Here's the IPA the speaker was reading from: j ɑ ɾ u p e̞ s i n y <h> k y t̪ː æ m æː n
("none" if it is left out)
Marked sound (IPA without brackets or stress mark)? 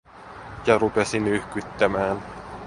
h